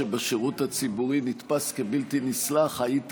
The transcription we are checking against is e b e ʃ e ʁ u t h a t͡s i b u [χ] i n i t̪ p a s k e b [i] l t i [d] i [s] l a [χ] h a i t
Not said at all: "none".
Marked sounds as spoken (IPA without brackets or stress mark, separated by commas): ʁ, i, n, s, χ